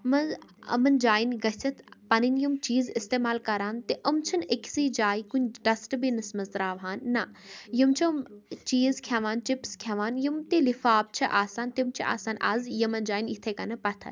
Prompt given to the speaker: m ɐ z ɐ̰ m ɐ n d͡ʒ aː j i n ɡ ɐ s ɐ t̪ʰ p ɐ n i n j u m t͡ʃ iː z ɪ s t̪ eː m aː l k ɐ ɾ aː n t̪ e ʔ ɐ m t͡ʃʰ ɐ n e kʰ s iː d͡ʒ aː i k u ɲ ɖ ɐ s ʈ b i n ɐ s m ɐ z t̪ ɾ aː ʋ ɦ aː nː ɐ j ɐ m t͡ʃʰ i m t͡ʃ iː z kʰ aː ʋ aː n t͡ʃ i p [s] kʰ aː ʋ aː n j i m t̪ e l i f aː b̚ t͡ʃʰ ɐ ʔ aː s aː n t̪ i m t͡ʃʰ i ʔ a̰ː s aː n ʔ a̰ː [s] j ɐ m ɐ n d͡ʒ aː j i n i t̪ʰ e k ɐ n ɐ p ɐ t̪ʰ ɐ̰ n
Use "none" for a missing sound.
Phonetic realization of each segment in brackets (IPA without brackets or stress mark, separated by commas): s, z